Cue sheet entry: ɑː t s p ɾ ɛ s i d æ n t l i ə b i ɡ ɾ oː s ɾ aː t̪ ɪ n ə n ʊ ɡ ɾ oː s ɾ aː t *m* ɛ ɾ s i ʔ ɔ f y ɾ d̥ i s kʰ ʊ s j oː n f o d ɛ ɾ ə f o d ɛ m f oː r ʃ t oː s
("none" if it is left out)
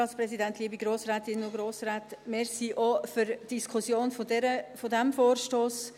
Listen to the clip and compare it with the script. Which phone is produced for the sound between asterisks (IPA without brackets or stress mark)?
m